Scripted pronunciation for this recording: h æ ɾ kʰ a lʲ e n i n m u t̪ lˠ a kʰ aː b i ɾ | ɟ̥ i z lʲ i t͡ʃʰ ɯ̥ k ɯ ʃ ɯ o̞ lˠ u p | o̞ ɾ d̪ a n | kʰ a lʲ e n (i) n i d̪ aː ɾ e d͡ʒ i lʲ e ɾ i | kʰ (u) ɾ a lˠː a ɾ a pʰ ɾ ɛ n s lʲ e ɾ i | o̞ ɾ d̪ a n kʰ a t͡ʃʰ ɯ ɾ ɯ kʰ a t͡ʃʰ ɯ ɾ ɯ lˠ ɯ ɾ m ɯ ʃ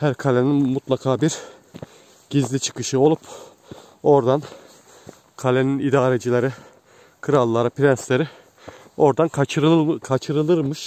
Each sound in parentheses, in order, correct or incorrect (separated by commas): correct, incorrect